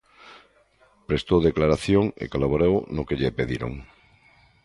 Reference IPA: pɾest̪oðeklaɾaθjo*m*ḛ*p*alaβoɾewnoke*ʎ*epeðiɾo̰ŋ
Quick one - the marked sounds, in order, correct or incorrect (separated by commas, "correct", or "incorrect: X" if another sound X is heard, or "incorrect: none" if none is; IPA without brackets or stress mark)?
incorrect: ŋ, incorrect: k, correct